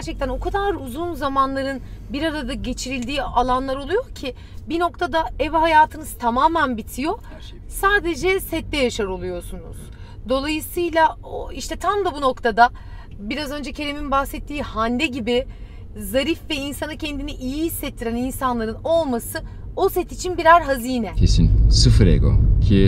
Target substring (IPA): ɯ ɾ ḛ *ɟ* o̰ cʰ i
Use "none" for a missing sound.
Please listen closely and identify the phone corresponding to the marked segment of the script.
ɡ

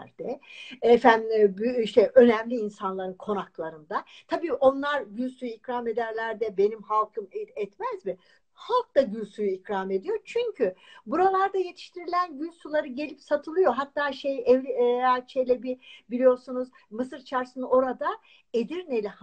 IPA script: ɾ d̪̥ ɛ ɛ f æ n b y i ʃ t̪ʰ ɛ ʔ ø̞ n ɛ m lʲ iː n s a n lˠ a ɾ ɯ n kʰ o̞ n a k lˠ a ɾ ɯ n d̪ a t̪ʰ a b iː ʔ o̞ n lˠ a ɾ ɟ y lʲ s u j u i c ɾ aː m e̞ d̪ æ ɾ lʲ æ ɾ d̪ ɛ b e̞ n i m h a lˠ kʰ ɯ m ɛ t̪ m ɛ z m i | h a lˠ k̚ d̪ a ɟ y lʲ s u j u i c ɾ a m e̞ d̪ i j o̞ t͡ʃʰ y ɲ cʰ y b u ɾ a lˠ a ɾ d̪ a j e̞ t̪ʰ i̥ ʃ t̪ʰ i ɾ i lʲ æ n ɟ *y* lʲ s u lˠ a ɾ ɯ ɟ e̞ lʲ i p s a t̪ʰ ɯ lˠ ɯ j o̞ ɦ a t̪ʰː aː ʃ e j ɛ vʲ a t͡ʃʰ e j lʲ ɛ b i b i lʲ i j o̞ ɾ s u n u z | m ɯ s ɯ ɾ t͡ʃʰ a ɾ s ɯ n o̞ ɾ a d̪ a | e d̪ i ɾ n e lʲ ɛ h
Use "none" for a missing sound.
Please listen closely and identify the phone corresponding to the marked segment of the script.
y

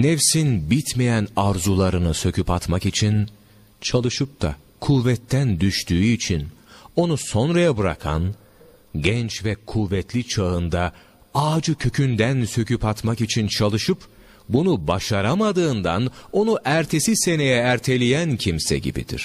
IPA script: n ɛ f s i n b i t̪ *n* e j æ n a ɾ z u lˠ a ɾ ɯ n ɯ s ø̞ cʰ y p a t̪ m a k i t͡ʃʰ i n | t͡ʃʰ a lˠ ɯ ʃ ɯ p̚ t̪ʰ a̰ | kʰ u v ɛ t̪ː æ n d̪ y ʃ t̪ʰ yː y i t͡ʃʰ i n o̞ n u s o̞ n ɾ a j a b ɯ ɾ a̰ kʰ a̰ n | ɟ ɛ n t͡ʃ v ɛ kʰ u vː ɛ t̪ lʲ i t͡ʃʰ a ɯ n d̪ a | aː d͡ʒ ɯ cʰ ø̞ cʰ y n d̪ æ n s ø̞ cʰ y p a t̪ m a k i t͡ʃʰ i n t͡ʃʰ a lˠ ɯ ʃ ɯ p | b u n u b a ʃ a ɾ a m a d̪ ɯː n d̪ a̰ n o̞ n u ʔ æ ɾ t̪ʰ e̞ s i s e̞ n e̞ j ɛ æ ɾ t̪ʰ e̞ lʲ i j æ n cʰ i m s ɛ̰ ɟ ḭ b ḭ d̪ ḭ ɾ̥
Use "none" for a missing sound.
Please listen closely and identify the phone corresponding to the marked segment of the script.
m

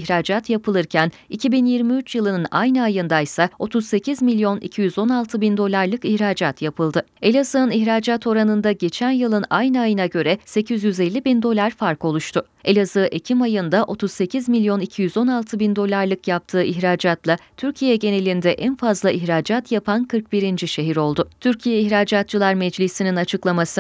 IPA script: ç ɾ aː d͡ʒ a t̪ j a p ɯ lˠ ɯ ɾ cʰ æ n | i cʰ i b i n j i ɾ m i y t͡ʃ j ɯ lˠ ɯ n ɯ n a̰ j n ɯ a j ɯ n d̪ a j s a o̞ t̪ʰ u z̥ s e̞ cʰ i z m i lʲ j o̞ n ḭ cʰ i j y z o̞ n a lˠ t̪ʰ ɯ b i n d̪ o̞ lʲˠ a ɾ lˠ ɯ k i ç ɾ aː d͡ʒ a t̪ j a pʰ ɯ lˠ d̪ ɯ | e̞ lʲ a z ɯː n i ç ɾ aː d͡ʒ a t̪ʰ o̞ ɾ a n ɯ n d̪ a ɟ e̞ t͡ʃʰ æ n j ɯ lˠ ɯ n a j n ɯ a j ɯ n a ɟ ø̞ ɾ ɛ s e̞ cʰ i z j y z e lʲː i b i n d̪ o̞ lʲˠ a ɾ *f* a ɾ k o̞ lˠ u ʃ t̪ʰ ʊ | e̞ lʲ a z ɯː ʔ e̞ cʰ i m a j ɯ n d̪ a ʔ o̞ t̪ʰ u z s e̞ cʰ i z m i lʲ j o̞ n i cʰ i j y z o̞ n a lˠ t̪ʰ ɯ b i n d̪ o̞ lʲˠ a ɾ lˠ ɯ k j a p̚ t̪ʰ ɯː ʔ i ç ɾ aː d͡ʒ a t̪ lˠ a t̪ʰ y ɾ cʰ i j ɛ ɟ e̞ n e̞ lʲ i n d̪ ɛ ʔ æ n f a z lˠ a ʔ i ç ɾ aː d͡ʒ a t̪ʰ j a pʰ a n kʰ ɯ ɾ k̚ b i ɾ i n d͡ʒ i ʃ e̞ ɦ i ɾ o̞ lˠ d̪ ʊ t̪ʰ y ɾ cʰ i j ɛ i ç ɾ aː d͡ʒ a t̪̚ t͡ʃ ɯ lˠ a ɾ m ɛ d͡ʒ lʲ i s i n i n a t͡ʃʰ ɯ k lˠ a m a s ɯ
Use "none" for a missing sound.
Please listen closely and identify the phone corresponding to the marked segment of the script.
f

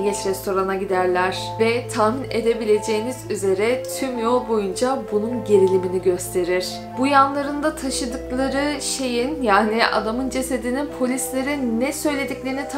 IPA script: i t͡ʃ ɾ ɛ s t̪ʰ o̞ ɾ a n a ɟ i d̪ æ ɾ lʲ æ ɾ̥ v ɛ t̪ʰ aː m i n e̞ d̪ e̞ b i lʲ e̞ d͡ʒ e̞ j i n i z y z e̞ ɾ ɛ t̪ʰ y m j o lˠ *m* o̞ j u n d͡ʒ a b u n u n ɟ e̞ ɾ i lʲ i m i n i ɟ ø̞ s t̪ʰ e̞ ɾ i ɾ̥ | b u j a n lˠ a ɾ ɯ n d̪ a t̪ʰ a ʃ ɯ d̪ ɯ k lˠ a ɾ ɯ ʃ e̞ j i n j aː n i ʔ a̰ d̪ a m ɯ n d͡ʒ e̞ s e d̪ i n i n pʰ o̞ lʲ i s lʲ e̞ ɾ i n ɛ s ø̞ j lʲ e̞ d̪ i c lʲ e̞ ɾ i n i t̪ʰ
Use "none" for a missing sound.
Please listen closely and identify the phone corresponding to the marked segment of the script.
b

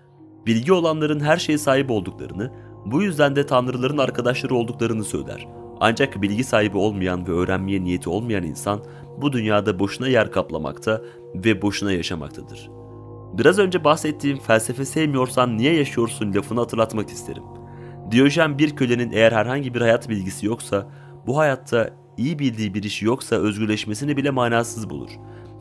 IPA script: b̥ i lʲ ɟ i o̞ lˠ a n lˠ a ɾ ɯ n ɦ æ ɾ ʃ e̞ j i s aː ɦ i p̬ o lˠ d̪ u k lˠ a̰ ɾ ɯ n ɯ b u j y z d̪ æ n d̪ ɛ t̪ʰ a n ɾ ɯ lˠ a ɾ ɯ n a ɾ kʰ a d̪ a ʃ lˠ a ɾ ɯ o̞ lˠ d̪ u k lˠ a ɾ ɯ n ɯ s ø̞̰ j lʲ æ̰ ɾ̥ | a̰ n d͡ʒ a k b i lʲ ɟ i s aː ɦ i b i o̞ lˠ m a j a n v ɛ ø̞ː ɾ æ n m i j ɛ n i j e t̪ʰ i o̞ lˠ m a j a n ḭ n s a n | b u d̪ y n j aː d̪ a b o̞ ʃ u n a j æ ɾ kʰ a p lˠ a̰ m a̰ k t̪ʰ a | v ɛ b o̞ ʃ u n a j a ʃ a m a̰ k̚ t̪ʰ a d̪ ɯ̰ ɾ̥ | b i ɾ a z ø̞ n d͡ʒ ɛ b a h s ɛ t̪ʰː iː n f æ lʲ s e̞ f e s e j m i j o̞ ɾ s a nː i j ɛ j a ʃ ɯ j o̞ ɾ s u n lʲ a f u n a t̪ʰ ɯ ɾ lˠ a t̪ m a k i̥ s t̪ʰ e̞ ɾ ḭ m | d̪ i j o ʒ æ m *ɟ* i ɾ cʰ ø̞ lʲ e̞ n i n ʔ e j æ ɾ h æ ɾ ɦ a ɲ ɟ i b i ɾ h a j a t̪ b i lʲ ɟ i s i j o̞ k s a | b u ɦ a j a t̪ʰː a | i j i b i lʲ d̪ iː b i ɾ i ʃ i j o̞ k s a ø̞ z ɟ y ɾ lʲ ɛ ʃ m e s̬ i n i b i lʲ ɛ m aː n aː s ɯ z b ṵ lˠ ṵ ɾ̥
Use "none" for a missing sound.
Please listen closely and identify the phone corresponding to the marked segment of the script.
b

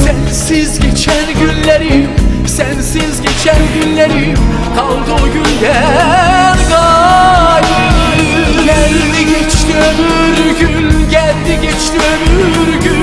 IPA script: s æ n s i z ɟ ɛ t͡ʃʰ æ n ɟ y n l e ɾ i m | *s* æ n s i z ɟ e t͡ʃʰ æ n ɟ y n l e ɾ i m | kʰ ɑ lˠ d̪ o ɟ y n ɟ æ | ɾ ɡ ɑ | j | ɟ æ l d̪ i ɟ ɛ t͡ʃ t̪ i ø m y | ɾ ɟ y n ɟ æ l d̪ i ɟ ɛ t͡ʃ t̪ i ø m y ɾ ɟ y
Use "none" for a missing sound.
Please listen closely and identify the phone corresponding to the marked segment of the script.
s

